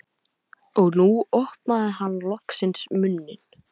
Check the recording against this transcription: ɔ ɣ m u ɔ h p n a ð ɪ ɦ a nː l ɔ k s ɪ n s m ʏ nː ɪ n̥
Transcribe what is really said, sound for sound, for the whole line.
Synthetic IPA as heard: ɔ ɣ n u ɔ h p n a ð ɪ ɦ a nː l ɔ k s ɪ n s m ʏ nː ɪ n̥